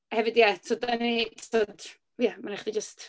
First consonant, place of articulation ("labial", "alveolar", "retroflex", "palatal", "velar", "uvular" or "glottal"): glottal